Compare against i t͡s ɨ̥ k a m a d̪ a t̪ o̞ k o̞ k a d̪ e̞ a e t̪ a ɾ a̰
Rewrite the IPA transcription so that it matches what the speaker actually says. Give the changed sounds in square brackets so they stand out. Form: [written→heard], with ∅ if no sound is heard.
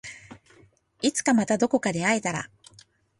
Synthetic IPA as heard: i t͡s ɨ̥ k a m a [d̪→t̪] a [t̪→d̪] o̞ k o̞ k a d̪ e̞ a e t̪ a ɾ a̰